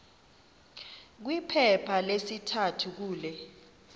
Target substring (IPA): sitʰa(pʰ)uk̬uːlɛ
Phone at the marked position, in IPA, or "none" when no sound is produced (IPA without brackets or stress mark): tʰ